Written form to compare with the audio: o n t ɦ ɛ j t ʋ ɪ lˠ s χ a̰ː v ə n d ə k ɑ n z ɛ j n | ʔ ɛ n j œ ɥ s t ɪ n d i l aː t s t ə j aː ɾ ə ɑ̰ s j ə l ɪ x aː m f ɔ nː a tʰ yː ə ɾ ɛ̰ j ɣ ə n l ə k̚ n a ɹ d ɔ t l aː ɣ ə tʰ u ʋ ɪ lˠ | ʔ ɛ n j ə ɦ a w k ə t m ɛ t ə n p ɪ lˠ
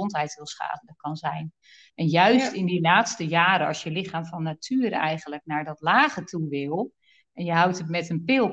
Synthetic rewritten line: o n t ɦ ɛ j t ʋ ɪ lˠ s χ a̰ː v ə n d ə k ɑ n z ɛ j n | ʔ ɛ n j œ ɥ s t ɪ n d i l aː t s t ə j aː ɾ ə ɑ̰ s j ə l ɪ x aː m f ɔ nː a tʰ yː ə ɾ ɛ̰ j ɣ ə n l ə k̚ n a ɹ d ɔ t l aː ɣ ə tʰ u ʋ ɪ lˠ | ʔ ɛ n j ə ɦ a w t ə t m ɛ t ə n p ɪ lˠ